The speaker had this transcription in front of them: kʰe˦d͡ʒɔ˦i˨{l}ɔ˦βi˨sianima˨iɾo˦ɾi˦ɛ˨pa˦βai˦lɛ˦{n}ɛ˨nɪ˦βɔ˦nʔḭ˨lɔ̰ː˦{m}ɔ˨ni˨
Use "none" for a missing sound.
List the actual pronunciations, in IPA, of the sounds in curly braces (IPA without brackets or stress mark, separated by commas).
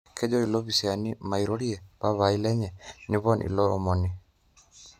l, ɲ, m